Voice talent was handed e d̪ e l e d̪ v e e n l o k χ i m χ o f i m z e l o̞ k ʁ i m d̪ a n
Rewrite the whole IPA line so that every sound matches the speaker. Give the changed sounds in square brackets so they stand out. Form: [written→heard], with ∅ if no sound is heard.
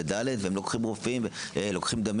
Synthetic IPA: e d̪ [e→a] l e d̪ v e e [n→m] l o k χ i m [χ→ʁ] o f i m [z→v] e l o̞ k [ʁ→χ] i m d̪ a [n→m]